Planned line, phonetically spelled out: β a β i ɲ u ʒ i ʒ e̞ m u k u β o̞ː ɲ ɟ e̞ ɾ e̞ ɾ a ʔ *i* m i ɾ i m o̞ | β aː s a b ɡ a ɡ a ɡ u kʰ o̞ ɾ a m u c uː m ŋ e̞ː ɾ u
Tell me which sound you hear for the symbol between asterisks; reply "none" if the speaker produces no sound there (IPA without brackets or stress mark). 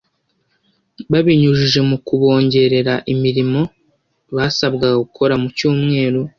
i